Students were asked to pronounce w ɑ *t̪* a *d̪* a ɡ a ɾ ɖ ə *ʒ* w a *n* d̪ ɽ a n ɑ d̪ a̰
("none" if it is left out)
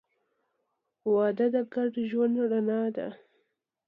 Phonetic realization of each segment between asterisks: d̪, d̪, ʒ, n

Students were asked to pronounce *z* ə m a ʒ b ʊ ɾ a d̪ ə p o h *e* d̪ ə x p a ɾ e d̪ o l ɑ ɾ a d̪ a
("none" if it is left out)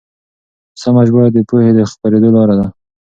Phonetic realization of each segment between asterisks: s, e

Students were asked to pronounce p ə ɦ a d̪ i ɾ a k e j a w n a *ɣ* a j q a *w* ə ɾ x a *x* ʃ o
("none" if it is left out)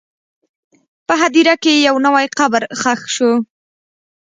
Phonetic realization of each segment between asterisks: w, b, x

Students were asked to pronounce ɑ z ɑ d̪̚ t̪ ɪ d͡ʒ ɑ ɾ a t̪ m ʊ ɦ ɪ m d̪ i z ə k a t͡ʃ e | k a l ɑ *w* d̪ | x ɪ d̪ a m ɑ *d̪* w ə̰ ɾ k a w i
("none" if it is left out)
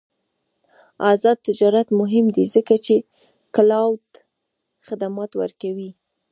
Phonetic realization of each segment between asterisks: w, t̪

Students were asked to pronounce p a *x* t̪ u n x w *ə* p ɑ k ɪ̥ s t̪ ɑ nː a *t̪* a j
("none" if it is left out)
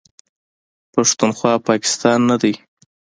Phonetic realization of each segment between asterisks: ʂ, ɑ, d̪

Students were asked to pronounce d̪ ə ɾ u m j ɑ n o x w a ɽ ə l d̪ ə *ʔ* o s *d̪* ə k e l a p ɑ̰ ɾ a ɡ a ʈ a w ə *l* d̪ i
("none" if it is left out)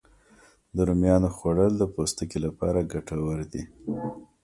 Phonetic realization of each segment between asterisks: p, t̪, ɾ

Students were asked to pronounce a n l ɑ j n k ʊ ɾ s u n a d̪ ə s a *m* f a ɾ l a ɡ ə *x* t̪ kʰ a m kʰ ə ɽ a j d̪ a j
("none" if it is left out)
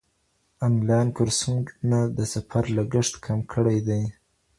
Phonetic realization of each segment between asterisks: none, ʂ

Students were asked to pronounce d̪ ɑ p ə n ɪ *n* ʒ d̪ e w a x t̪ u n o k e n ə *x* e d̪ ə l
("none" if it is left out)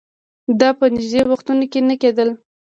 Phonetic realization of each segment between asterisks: none, k

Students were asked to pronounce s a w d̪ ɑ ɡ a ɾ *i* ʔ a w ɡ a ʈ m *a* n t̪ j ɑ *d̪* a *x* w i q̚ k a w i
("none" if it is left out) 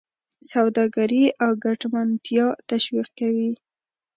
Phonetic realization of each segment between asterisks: i, a, t̪, ʃ

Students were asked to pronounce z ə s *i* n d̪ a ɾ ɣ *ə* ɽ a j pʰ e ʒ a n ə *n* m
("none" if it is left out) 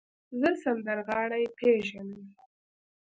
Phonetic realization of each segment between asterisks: a, ɑ, none

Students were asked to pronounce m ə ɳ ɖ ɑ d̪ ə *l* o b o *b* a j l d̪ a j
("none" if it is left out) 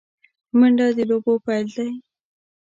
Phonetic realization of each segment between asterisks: l, p

